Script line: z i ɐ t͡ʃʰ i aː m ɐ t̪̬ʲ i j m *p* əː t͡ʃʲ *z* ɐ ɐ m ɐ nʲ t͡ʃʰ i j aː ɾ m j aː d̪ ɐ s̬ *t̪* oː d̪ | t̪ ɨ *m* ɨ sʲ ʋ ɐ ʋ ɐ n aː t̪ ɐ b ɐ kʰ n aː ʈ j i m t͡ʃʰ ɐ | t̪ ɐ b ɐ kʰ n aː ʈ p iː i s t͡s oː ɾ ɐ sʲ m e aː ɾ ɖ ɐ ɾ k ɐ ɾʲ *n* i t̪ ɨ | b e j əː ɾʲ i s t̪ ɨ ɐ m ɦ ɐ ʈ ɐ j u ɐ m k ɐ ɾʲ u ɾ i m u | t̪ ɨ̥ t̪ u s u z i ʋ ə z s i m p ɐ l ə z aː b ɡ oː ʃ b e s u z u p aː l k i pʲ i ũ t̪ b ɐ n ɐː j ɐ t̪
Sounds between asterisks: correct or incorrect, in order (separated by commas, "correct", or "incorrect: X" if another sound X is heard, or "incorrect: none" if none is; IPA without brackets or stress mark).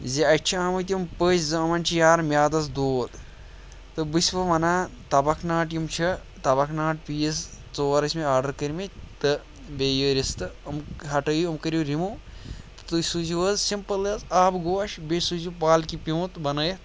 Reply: correct, correct, incorrect: d̪, incorrect: b, incorrect: m